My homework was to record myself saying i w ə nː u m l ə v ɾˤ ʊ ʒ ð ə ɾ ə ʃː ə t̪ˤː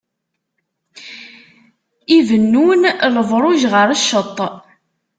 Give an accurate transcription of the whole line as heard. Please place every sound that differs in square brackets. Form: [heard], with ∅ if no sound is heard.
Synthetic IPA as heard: i [v] ə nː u [n] l ə v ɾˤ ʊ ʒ [ʁ] ə ɾ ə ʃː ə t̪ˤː